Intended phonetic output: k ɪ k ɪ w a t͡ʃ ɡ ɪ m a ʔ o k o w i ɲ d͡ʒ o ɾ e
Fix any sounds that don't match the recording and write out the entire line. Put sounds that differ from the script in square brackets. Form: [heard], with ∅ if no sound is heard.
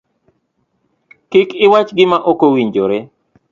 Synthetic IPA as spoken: k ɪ k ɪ w a t͡ʃ ɡ ɪ m a ʔ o k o w i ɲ d͡ʒ o ɾ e